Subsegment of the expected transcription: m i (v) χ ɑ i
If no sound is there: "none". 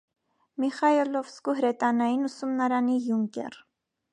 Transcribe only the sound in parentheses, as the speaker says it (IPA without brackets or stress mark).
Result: none